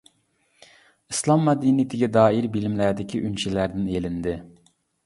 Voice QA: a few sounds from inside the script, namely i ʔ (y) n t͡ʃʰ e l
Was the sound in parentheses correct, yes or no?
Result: yes